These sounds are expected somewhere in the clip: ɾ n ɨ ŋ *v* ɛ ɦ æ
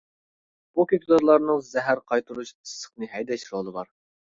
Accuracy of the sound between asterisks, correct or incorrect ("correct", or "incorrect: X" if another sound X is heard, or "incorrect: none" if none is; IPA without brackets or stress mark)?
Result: incorrect: z